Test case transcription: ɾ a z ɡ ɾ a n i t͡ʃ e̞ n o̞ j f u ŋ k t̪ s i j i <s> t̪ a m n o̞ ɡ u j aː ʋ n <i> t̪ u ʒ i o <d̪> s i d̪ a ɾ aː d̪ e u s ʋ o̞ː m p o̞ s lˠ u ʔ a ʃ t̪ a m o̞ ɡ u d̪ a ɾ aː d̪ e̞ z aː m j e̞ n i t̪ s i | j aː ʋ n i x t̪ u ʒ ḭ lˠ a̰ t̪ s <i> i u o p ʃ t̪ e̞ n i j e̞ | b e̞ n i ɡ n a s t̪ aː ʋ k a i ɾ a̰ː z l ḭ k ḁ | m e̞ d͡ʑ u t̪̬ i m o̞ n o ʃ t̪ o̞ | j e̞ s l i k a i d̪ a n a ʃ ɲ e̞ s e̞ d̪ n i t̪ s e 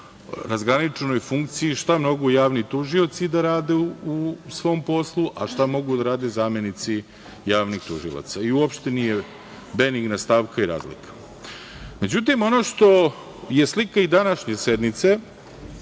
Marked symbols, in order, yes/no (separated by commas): no, yes, no, no